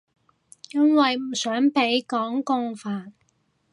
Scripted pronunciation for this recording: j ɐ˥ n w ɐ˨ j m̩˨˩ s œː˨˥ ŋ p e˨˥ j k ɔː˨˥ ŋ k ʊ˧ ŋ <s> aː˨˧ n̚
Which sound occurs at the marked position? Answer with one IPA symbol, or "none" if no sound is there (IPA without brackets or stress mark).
f